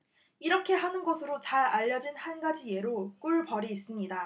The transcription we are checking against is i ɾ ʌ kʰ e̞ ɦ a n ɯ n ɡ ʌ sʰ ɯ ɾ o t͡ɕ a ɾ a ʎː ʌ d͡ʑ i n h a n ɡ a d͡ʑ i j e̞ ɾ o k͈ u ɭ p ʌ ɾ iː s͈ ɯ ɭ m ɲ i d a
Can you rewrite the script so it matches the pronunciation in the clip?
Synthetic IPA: i ɾ ʌ kʰ e̞ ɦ a n ɯ n ɡ ʌ sʰ ɯ ɾ o t͡ɕ a ɾ a ʎː ʌ d͡ʑ i n h a n ɡ a d͡ʑ i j e̞ ɾ o k͈ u ɭ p ʌ ɾ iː s͈ ɯ m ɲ i d a